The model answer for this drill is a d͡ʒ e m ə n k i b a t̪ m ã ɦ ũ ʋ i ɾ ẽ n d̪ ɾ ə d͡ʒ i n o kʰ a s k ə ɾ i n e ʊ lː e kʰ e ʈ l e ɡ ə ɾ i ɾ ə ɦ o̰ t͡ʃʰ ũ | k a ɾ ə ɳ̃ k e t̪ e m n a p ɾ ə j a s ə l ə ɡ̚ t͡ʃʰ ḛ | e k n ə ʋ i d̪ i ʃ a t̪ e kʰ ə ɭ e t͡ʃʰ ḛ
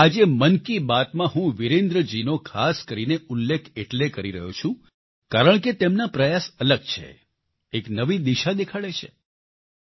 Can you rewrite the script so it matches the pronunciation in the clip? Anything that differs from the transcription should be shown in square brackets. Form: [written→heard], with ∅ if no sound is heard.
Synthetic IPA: a d͡ʒ e m ə n k i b a t̪ m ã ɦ ũ ʋ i ɾ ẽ n d̪ ɾ ə d͡ʒ i n o kʰ a s k ə ɾ i n e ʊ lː e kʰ e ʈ l e [ɡ→k] ə ɾ i ɾ ə ɦ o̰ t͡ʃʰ ũ | k a ɾ ə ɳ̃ k e t̪ e m n a p ɾ ə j a s ə l ə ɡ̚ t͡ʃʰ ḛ | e k n ə ʋ i d̪ i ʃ a [t̪→d̪] e kʰ [ə→a] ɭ e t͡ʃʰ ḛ

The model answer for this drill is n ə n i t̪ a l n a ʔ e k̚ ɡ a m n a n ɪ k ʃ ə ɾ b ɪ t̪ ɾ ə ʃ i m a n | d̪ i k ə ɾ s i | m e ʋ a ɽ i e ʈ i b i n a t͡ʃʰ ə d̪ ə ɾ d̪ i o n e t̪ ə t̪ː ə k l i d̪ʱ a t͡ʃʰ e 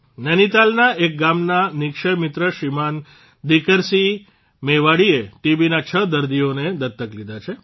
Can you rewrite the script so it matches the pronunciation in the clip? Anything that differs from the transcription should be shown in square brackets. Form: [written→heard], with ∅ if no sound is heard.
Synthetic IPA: n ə n i t̪ a l n a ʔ e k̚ ɡ a m n a n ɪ k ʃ ə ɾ [b→m] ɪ t̪ ɾ ə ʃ i m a n | d̪ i k ə ɾ s i | m e ʋ a ɽ i e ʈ i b i n a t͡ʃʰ ə d̪ ə ɾ d̪ i o n e [t̪→d̪] ə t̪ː ə k l i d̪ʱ a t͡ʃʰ e

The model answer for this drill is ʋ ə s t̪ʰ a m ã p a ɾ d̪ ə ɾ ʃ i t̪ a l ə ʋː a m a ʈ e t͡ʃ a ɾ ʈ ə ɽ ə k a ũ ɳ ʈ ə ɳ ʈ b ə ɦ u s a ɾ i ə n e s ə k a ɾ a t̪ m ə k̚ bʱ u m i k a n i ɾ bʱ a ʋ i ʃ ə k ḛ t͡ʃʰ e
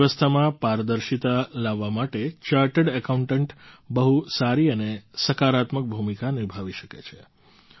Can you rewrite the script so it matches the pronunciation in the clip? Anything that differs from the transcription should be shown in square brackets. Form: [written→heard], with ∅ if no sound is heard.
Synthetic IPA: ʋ ə s t̪ʰ a m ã p a ɾ d̪ ə ɾ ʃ i t̪ a l [ə→a] ʋː a m a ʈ e t͡ʃ a ɾ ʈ ə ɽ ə k a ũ ɳ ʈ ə ɳ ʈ b ə ɦ u s a ɾ i ə n e s ə k a ɾ a t̪ m ə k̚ bʱ u m i k a n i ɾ bʱ a ʋ i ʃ ə k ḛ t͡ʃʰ e

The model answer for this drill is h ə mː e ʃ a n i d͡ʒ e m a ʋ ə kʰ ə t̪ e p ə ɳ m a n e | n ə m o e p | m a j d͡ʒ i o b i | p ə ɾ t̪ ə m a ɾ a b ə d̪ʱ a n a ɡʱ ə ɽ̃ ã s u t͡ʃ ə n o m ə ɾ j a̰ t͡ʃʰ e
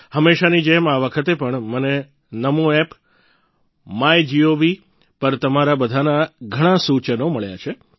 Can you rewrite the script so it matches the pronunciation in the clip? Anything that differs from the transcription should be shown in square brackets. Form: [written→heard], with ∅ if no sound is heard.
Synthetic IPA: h ə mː e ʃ a n i d͡ʒ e m a ʋ ə kʰ ə t̪ e p ə ɳ m [a→ə] n e | n ə m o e p | m a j d͡ʒ i o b i | p ə ɾ t̪ ə m a ɾ a b ə d̪ʱ a n a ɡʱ ə ɽ̃ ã s u t͡ʃ ə n o m ə [ɾ→ɭ] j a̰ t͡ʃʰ e

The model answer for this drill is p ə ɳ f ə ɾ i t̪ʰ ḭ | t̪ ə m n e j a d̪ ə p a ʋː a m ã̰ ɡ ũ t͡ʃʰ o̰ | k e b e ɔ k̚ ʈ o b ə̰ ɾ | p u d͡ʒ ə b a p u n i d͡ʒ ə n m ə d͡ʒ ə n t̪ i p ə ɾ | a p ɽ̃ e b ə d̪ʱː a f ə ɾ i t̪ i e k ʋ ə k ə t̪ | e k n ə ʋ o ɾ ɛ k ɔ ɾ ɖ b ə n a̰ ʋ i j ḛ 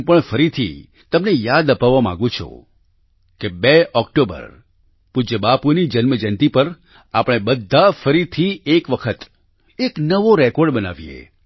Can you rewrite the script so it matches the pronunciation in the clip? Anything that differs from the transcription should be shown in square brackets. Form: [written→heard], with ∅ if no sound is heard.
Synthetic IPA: p ə ɳ f ə ɾ i t̪ʰ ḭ | t̪ ə m n e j a d̪ ə p a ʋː a m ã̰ ɡ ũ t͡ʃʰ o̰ | k e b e ɔ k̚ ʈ o b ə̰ ɾ | p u d͡ʒ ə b a p u n i d͡ʒ ə n m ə d͡ʒ ə n t̪ i p ə ɾ | a p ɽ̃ e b ə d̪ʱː a f ə ɾ i [t̪→t̪ʰ] i e k ʋ ə [k→kʰ] ə t̪ | e k n ə ʋ o ɾ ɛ k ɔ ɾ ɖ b ə n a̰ ʋ i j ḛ

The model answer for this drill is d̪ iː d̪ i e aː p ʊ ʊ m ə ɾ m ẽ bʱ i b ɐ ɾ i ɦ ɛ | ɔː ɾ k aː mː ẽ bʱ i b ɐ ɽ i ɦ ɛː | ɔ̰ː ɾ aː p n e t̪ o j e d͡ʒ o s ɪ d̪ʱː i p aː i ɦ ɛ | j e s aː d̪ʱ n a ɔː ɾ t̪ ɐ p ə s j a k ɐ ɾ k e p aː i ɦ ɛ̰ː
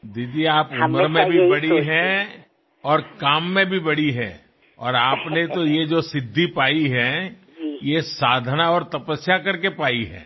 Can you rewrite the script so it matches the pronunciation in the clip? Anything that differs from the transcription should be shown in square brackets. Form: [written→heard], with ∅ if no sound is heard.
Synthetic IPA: d̪ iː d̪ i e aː p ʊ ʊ m ə ɾ m ẽ bʱ i b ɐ [ɾ→ɽ] i ɦ ɛ | ɔː ɾ k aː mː ẽ bʱ i b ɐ ɽ i ɦ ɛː | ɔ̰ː ɾ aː p n e t̪ o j e d͡ʒ o s ɪ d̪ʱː i p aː i ɦ ɛ | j e s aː d̪ʱ n a ɔː ɾ t̪ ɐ p ə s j a k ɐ ɾ k e p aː i ɦ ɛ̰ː

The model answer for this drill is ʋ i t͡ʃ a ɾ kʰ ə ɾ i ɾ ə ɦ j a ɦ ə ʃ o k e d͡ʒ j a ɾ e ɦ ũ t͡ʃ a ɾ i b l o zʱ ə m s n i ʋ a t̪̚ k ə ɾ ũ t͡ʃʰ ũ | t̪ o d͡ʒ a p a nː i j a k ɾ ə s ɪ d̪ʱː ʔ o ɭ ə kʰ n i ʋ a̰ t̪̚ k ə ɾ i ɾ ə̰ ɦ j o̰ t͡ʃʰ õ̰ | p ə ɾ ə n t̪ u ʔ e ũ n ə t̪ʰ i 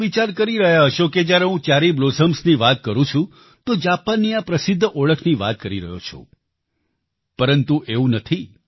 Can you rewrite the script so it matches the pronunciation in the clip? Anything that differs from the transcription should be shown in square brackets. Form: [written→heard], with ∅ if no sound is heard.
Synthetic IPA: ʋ i t͡ʃ a ɾ [kʰ→k] ə ɾ i ɾ ə ɦ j a ɦ ə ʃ o k e d͡ʒ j a ɾ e ɦ ũ t͡ʃ a ɾ i b l o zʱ ə m s n i ʋ a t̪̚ k ə ɾ ũ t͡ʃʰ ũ | t̪ o d͡ʒ a p a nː i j a [k→p] ɾ ə s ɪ d̪ʱː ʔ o ɭ ə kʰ n i ʋ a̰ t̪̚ k ə ɾ i ɾ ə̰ ɦ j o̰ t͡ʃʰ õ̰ | p ə ɾ ə n t̪ u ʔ e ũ n ə t̪ʰ i

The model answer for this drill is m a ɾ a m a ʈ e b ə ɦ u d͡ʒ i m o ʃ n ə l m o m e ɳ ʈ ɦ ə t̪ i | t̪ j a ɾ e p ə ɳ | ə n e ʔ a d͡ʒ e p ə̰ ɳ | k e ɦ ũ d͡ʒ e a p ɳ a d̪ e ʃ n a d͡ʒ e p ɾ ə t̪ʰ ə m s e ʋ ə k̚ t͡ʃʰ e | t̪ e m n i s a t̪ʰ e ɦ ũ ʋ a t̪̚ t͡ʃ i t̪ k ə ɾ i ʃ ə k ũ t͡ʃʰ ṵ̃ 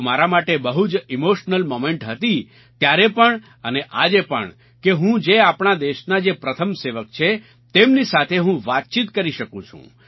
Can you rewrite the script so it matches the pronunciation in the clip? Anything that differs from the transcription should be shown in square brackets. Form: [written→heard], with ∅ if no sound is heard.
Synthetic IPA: m a ɾ a m a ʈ e b ə ɦ u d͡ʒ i m o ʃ n ə l m o m e ɳ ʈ ɦ ə t̪ i | t̪ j a ɾ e p ə ɳ | ə n e ʔ a d͡ʒ e p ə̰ ɳ | k e ɦ ũ d͡ʒ e a p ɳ a d̪ e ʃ n a d͡ʒ e p ɾ ə t̪ʰ ə m s e ʋ ə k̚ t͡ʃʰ e | t̪ e m n i s a t̪ʰ e ɦ ũ ʋ a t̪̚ t͡ʃ i t̪ k ə ɾ i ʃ ə k ũ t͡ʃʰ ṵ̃

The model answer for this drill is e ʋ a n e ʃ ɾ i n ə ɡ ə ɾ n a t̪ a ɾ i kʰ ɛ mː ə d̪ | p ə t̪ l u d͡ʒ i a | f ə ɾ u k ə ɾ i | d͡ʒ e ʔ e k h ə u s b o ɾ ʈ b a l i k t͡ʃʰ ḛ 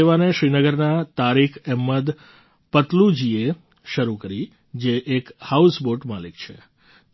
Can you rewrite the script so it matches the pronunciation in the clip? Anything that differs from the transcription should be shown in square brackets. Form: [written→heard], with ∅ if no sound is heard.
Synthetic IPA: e ʋ a n e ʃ ɾ i n ə ɡ ə ɾ n a t̪ a ɾ i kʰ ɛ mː ə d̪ | p ə t̪ l u d͡ʒ i [a→e] | [f→ʃ] ə ɾ u k ə ɾ i | d͡ʒ e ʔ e k h [ə→a] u s b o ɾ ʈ [b→m] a l i k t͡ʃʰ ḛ

